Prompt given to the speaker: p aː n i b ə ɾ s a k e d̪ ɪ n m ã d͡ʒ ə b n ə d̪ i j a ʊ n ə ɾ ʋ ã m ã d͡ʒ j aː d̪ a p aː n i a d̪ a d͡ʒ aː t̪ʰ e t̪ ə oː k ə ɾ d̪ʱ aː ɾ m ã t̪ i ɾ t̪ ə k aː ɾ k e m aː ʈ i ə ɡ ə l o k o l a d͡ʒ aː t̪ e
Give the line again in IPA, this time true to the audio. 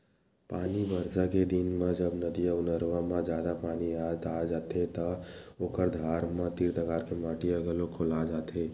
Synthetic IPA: p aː n i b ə ɾ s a k e d̪ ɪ n m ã d͡ʒ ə b n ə d̪ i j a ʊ n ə ɾ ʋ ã m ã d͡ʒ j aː d̪ a p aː n i a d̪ a d͡ʒ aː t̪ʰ e t̪ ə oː k ə ɾ d̪ʱ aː ɾ m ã t̪ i ɾ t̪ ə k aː ɾ k e m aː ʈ i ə ɡ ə l o kʰ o l a d͡ʒ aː t̪ e

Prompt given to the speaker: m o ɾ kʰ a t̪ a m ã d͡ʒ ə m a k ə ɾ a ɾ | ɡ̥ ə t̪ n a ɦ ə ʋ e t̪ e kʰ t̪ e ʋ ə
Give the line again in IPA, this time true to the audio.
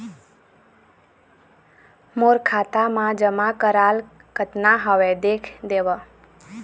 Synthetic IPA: m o ɾ kʰ a t̪ a m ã d͡ʒ ə m a k ə ɾ a l | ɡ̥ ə t̪ n a ɦ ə ʋ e d̪ e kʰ d̪ e ʋ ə

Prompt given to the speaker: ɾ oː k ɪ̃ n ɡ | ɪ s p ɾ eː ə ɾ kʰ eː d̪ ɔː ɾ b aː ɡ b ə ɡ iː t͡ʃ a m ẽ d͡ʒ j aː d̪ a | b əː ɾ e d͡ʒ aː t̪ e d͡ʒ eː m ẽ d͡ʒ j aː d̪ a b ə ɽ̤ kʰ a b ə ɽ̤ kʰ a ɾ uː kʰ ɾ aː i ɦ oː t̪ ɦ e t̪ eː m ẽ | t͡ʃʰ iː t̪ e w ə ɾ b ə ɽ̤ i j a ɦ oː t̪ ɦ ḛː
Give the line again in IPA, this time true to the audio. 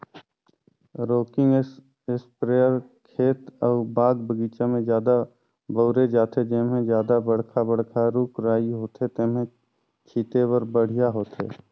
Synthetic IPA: ɾ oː k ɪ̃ ŋ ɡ | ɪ s p ɾ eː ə ɾ kʰ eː t̪ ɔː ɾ b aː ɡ b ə ɡ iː t͡ʃ a m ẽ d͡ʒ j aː d̪ a | b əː ɾ e d͡ʒ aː t̪ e d͡ʒ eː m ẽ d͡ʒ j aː d̪ a b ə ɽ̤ kʰ a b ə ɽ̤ kʰ a ɾ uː k ɾ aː i ɦ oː t̪ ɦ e t̪ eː m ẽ | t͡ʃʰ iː t̪ e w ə ɾ b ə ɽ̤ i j a ɦ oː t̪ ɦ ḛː

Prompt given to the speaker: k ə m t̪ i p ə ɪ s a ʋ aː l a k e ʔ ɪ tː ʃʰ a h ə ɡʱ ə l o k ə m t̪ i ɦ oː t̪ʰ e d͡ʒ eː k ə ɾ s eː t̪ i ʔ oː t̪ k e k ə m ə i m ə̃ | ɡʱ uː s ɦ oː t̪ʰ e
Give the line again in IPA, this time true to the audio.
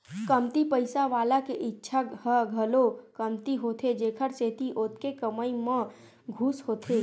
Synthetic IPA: k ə m t̪ i p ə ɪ s a ʋ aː l a k e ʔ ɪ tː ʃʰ a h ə ɡʱ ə l o k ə m t̪ i ɦ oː t̪ʰ e d͡ʒ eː kʰ ə ɾ s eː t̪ i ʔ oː t̪ k e k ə m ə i m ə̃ | ɡʱ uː s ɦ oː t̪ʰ e

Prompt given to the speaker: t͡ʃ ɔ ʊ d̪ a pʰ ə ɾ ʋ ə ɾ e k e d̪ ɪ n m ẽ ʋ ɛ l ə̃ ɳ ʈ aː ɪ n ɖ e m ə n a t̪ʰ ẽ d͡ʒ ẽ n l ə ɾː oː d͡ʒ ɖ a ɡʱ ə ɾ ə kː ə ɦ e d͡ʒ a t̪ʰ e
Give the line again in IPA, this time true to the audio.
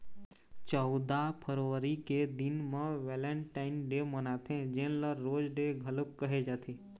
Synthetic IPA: t͡ʃ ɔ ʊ d̪ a pʰ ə ɾ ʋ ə ɾ i k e d̪ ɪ n m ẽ ʋ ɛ l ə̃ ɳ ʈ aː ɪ n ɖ e m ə n a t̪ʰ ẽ d͡ʒ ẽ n l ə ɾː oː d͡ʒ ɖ e ɡʱ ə l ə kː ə ɦ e d͡ʒ a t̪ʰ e

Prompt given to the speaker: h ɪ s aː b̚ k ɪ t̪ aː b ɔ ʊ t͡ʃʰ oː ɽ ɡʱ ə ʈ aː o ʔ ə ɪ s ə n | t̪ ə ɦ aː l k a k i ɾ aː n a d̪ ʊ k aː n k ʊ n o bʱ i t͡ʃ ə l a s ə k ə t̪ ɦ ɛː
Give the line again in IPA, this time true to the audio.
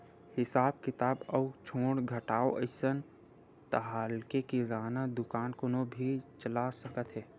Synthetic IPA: h ɪ s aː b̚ k ɪ t̪ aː b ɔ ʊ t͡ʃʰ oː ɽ ɡʱ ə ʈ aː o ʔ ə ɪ s ə n | t̪ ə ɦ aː l k e k i ɾ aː n a d̪ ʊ k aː n k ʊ n o bʱ i t͡ʃ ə l a s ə k ə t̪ ɦ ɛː

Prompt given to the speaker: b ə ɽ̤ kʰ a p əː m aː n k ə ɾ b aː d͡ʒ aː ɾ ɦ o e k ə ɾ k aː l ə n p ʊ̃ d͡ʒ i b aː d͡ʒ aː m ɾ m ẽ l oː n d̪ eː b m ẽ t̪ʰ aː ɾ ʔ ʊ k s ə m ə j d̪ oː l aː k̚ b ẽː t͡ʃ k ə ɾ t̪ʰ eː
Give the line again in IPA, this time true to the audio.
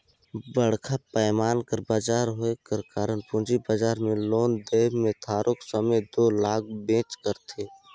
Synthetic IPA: b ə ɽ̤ kʰ a p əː m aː n k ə ɾ b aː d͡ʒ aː ɾ ɦ o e k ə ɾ k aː ɾ ə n p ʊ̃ d͡ʒ i b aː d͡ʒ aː ɾ m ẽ l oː n d̪ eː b m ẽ t̪ʰ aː ɾ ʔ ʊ k s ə m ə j d̪ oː l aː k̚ b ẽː t͡ʃ k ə ɾ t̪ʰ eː

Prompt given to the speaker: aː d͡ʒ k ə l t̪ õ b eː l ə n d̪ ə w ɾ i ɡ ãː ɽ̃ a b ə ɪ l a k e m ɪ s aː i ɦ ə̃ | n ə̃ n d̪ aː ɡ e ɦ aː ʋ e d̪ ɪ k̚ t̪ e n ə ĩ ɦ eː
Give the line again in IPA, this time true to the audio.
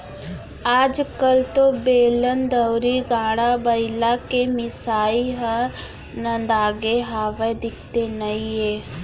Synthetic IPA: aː d͡ʒ k ə l t̪ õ b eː l ə n d̪ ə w ɾ i ɡ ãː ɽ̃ a b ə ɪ l a k e m ɪ s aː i ɦ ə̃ | n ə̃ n d̪ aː ɡ e ɦ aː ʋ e d̪ ɪ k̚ t̪ e n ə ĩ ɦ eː

